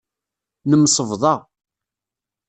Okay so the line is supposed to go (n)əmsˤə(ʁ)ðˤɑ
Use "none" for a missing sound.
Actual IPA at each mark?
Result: n, v

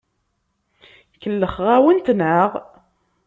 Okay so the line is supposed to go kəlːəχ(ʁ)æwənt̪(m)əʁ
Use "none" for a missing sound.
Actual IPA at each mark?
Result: ʁ, n

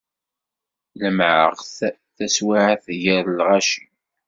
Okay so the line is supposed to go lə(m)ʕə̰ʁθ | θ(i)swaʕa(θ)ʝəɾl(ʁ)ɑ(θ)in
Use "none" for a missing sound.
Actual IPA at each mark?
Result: m, æ, θ, ʁ, ʃ

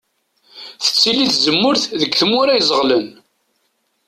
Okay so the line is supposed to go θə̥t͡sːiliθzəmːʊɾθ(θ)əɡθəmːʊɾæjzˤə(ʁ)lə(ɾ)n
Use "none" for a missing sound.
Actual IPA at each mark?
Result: ð, ʁ, none

